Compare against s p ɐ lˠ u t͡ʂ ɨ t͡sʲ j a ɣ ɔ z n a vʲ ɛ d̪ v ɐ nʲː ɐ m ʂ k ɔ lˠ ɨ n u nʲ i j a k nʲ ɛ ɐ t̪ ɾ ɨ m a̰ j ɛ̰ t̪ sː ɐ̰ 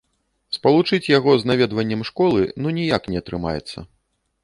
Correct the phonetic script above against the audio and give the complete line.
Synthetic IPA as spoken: s p ɐ lˠ u t͡ʂ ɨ t͡sʲ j a ɣ ɔ z n a vʲ ɛ d̪ v ɐ nʲː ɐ m ʂ k ɔ lˠ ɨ n u nʲ i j a k nʲ ɛ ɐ t̪ ɾ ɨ m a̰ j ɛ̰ t̪ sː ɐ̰